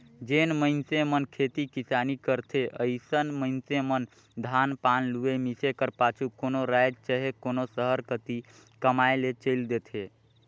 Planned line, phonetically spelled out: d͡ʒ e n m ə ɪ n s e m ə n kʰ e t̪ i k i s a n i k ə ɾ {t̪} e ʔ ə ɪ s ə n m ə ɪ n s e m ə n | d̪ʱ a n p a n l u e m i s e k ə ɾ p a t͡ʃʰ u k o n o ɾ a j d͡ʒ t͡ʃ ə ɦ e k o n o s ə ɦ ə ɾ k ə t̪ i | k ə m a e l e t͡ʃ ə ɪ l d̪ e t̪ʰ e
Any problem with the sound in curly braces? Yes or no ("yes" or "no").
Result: yes